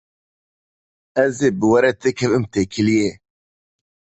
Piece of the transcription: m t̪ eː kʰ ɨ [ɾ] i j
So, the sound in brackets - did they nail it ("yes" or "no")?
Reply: no